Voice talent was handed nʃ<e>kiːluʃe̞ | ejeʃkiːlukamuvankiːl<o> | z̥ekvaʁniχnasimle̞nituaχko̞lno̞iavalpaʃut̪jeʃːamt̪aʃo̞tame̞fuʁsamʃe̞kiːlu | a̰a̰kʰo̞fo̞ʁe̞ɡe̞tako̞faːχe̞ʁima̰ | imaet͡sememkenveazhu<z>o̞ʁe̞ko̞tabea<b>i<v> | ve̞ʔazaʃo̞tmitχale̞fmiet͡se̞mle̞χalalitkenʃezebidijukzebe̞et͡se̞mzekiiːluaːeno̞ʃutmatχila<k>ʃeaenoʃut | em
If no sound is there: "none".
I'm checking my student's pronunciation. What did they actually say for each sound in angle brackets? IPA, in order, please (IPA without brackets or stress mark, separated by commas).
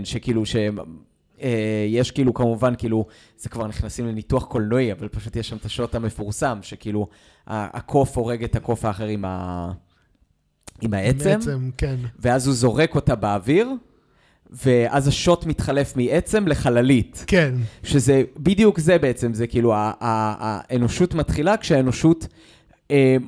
e, u, z, v, ʁ, k